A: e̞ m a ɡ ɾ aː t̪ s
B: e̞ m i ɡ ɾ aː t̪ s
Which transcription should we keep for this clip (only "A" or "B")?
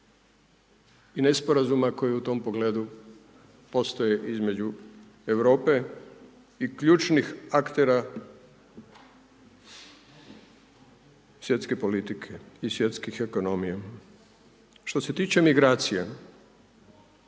B